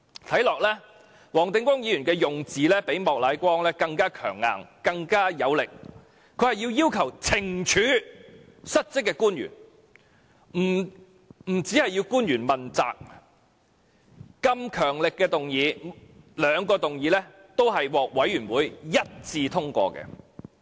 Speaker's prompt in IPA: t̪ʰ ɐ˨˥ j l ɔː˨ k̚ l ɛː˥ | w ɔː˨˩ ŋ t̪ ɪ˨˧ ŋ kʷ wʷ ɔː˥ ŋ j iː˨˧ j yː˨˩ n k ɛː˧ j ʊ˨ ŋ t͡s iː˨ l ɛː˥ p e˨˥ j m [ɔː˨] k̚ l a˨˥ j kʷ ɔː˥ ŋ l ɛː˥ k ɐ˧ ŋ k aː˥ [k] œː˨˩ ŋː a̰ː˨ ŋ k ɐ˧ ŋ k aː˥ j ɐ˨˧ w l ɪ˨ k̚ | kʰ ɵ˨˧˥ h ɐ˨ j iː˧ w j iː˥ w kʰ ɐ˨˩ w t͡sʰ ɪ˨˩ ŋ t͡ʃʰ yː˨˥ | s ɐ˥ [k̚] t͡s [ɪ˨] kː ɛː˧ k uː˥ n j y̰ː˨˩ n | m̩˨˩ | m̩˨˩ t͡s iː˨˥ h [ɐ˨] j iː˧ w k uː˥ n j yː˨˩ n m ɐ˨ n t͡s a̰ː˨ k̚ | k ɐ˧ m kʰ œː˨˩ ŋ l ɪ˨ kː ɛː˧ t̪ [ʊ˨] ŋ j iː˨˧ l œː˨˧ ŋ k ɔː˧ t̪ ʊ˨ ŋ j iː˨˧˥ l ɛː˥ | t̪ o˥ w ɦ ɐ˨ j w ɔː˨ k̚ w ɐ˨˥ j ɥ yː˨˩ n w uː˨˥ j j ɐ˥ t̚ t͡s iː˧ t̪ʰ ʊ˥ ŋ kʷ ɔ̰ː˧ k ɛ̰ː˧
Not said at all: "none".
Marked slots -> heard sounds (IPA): ɔː˨, kʰ, t̚, ɪ˥, ɐ˨, ʊ˨

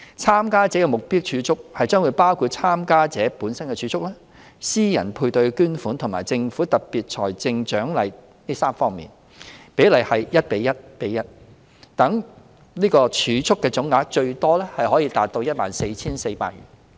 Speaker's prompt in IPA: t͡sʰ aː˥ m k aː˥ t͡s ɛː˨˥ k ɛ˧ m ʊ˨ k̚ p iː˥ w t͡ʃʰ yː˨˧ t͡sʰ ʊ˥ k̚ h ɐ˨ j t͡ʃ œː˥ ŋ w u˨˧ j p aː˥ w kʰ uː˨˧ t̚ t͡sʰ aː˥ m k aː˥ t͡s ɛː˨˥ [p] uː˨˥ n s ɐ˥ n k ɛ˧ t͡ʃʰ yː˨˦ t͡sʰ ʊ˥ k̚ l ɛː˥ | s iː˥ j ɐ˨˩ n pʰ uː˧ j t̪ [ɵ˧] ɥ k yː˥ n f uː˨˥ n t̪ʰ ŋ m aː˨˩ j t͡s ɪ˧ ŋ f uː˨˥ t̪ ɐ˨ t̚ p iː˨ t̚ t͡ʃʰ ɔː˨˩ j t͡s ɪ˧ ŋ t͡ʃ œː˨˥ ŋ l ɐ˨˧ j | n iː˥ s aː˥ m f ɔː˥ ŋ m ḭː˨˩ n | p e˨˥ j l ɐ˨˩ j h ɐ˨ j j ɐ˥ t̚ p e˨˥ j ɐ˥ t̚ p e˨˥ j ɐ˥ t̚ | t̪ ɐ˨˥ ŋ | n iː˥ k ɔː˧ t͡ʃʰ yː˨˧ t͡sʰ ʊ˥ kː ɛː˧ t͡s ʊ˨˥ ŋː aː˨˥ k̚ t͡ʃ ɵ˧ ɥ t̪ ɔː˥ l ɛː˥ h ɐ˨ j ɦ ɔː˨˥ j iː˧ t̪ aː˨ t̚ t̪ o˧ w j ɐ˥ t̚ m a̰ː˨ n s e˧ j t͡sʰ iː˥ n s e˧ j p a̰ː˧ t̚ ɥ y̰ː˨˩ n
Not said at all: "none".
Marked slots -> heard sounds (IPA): p, ɵ˧

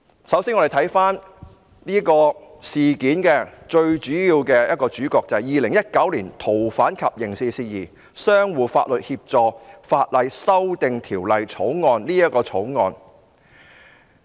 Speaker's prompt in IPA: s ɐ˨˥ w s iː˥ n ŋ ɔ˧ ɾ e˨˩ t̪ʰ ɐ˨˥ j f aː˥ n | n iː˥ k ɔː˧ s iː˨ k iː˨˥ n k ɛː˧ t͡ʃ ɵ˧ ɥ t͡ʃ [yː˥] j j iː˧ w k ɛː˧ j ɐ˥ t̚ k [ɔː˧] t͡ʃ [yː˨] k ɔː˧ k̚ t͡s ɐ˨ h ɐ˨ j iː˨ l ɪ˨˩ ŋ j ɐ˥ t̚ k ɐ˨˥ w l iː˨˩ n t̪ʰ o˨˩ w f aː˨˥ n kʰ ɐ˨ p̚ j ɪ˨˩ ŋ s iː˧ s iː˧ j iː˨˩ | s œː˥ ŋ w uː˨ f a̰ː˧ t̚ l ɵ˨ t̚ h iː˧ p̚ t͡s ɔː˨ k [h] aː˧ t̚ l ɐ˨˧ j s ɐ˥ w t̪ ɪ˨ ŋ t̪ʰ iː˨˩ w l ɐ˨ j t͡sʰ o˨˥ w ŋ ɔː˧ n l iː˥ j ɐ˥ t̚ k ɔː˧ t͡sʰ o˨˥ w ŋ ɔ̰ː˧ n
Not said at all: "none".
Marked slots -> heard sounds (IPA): yː˨˥, ɔː˧, yː˨˥, f

